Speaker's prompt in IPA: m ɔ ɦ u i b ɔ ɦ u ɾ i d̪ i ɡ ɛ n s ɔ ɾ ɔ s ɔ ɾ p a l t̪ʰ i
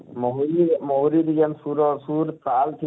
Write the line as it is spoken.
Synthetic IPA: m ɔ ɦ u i m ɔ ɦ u ɾ i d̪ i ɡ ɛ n s u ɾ ɔ s u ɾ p a l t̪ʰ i